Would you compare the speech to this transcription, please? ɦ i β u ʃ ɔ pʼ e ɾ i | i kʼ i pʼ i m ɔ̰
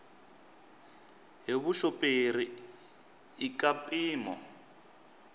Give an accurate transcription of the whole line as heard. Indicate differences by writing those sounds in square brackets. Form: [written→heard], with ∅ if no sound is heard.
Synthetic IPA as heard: ɦ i β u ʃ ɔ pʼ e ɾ i | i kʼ [i→a] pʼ [i→iː] m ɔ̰